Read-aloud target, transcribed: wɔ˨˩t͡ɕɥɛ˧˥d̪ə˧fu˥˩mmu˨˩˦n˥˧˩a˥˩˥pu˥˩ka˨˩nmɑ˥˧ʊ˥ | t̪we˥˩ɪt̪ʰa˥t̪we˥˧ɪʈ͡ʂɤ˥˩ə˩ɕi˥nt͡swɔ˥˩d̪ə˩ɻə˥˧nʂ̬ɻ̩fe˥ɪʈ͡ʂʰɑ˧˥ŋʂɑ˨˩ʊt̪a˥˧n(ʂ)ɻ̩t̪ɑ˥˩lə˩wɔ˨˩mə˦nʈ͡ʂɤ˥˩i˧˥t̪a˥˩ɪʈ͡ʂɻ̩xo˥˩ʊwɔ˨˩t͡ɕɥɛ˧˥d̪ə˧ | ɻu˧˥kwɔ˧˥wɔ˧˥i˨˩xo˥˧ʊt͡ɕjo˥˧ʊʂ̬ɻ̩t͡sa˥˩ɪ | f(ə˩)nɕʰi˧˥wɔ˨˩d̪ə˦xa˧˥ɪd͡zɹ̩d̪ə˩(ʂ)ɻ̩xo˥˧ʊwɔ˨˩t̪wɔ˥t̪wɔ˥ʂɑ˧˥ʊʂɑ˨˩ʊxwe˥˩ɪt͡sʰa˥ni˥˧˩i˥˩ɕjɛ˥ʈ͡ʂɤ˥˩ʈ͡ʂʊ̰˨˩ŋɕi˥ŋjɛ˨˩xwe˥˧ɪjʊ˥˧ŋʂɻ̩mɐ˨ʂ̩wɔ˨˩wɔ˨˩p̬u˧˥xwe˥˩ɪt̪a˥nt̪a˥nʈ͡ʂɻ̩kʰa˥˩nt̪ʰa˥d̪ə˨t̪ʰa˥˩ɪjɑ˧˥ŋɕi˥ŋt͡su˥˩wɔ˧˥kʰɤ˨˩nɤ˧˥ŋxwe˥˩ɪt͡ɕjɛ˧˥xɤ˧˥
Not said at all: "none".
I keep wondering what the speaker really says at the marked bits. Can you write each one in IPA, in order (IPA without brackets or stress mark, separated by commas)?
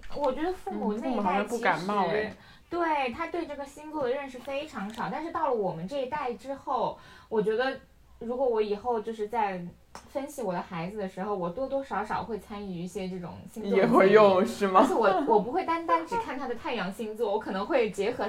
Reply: ʂ, ə˥, ʂ